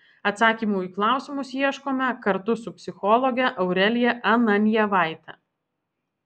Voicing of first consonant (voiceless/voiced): voiceless